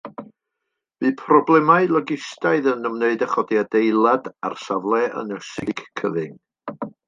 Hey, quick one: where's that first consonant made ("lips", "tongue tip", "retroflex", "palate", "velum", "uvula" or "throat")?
lips